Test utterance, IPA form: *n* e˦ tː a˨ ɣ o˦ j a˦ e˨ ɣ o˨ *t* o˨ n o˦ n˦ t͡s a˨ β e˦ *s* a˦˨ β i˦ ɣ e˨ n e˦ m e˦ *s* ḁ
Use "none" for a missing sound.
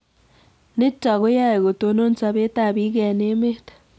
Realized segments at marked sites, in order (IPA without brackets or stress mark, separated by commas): n, t, t, t